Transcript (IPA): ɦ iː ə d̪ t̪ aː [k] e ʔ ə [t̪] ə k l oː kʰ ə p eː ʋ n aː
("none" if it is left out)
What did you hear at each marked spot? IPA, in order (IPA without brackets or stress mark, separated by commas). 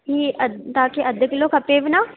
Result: k, d̪